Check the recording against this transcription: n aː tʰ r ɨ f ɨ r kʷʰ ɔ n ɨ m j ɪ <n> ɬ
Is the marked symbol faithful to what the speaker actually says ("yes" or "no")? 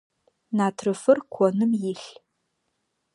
no